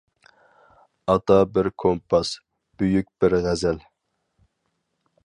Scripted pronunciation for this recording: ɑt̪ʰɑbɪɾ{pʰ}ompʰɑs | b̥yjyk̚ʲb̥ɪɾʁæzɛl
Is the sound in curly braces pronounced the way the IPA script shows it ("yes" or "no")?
no